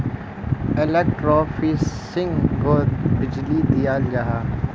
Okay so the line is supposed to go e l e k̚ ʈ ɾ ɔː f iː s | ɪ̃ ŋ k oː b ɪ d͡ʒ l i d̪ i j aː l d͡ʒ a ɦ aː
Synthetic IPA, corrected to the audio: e l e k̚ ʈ ɾ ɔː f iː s | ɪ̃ ŋ ɡ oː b ɪ d͡ʒ l i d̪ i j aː l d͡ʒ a ɦ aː

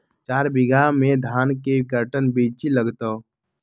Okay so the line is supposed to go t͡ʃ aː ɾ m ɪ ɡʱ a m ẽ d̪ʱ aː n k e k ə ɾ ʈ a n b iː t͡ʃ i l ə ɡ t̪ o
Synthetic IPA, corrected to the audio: t͡ʃ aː ɾ b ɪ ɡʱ a m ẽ d̪ʱ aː n k e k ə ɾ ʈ ə n b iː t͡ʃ i l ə ɡ t̪ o

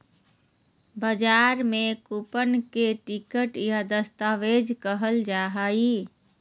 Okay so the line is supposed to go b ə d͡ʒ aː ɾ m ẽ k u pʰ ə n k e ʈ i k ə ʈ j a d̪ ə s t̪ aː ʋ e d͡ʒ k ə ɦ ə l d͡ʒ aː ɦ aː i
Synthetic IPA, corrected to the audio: b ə d͡ʒ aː ɾ m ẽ k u p ə n k e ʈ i k ə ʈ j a d̪ ə s t̪ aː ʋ e d͡ʒ k ə ɦ ə l d͡ʒ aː ɦ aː i

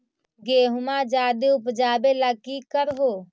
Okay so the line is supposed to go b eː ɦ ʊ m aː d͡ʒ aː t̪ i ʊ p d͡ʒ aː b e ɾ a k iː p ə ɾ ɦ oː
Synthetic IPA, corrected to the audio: ɡ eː ɦ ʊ m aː d͡ʒ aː d̪ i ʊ p d͡ʒ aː b e l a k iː k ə ɾ ɦ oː

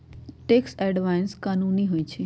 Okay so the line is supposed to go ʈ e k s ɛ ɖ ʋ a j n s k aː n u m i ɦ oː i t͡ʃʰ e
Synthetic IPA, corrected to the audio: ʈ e k s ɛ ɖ ʋ a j n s k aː n u n i ɦ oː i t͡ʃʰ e

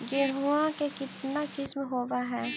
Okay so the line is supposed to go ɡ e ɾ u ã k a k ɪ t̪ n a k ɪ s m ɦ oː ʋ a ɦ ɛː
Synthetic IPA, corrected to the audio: ɡ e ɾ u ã k e k ɪ t̪ n a k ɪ s m ɦ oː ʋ a ɦ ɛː

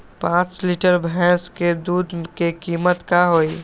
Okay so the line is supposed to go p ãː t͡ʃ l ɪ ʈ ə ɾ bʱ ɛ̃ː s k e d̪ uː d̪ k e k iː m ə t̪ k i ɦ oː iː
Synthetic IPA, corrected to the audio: p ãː t͡ʃ l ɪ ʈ ə ɾ bʱ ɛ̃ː s k e d̪ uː d̪ k e k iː m ə t̪ k a ɦ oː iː

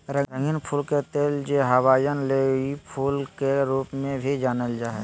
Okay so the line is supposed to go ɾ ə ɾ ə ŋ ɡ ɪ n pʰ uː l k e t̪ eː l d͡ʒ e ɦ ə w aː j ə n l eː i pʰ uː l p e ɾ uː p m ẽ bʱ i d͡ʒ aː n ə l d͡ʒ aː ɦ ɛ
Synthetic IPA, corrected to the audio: ɾ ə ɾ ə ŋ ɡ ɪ n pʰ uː l k e t̪ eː l d͡ʒ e ɦ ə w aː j ə n l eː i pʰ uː l k e ɾ uː p m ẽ bʱ i d͡ʒ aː n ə l d͡ʒ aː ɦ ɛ

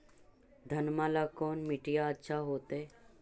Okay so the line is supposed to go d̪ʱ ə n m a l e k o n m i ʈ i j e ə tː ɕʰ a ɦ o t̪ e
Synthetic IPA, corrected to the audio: d̪ʱ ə n m a l a k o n m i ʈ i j a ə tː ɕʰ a ɦ o t̪ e

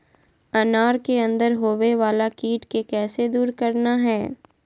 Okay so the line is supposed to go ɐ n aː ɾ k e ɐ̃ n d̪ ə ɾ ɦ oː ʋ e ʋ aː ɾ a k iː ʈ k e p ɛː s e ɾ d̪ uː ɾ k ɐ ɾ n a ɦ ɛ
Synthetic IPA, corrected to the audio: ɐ n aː ɾ k e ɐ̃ n d̪ ə ɾ ɦ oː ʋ e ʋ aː l a k iː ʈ k e k ɛː s e d̪ uː ɾ k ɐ ɾ n a ɦ ɛː

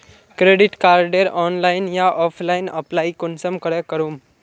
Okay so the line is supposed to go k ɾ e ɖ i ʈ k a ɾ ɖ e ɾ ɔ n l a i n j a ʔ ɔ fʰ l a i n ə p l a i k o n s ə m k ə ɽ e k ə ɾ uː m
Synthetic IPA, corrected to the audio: k ɾ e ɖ i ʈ k a ɾ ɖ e ɾ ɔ n l a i n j a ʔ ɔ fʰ l a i n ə p l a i k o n s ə m k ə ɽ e k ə ɾ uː m

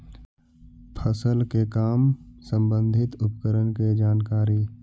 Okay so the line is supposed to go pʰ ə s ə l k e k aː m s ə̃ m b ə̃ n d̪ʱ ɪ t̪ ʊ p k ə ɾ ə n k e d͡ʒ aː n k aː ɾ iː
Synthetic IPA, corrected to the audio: pʰ ə s ə l k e k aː m s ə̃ m b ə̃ n d̪ʱ ɪ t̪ ʊ p k ə ɾ ə n k e d͡ʒ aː n k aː ɾ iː

